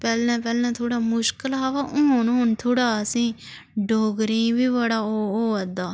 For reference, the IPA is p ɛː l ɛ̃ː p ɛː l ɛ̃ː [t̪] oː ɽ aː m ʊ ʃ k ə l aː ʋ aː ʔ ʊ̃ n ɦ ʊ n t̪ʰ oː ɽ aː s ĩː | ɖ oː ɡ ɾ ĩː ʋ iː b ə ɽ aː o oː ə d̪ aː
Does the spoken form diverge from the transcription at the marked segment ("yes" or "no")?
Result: yes